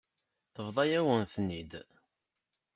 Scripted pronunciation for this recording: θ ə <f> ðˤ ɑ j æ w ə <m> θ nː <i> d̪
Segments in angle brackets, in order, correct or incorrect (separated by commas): incorrect, incorrect, correct